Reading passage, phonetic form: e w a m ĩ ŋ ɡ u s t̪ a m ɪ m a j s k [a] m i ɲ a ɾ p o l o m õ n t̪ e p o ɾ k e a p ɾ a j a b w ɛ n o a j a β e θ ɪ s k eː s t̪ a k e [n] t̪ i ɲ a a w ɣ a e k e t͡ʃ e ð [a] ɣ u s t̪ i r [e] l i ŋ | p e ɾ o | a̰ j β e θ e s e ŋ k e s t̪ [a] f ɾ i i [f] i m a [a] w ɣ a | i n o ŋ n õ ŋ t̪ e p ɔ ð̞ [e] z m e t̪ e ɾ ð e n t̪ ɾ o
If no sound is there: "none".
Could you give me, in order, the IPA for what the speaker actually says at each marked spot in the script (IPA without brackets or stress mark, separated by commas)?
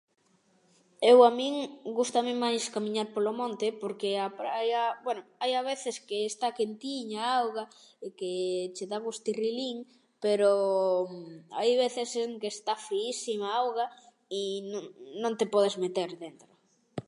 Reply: a, n, a, i, a, s, a, e